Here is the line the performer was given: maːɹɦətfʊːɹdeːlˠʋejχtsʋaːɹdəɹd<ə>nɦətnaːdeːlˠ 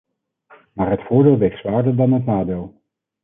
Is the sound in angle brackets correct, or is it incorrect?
incorrect